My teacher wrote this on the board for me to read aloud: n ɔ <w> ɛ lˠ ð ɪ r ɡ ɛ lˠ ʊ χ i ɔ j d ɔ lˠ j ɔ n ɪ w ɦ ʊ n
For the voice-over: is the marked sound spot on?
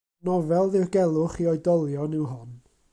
no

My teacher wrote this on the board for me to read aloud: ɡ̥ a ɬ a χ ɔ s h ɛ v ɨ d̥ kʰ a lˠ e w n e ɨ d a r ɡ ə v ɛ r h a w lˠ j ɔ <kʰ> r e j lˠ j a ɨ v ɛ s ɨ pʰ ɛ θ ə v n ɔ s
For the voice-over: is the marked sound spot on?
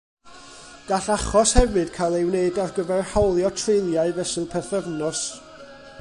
no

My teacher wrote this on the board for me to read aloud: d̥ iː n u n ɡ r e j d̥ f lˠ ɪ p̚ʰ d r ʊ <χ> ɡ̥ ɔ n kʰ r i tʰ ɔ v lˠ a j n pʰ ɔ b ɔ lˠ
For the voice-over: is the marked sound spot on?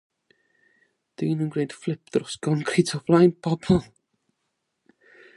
no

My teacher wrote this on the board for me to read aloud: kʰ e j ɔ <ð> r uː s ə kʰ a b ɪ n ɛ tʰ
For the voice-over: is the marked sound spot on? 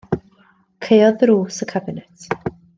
yes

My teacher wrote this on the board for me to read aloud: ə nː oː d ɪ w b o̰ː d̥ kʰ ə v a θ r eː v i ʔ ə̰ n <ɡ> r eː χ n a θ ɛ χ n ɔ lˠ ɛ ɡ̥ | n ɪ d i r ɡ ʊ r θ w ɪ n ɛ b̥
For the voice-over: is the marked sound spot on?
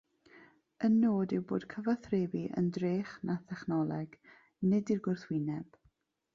no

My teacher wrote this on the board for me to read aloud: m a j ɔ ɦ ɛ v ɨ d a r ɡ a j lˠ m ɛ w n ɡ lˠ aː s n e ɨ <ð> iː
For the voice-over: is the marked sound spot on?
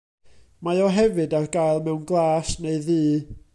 yes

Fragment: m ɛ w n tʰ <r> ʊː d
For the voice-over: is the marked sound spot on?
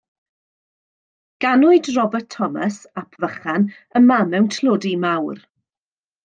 no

